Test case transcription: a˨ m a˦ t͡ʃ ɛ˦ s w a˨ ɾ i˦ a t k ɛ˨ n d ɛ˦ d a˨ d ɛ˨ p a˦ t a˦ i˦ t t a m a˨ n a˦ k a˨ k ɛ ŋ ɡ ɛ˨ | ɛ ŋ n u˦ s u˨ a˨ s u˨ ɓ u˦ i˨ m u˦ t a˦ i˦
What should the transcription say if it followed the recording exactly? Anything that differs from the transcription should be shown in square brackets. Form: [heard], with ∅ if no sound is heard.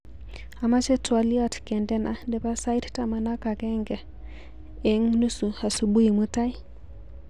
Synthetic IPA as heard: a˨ m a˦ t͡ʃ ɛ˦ [t] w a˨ [l] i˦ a t k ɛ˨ n d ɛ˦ [n] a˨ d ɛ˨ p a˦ [s] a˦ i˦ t t a m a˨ n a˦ k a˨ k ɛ ŋ ɡ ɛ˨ | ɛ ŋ n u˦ s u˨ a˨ s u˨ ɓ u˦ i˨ m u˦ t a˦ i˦